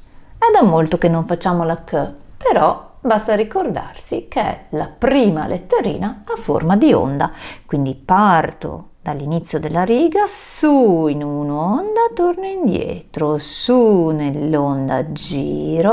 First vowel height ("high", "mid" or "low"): mid